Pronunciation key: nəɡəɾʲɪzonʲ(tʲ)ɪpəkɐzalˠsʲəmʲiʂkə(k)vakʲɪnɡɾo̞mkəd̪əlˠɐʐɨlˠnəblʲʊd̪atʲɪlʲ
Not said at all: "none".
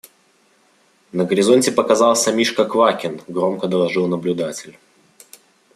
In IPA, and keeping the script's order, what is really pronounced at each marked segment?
tʲ, k

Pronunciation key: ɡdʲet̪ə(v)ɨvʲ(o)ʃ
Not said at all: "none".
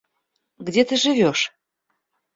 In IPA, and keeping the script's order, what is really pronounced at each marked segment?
ʒ, o

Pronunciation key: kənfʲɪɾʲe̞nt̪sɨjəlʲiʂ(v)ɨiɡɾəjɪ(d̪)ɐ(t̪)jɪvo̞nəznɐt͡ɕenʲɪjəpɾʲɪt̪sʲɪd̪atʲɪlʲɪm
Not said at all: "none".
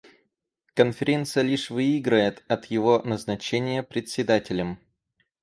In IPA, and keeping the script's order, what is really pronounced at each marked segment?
v, t̪, t̪

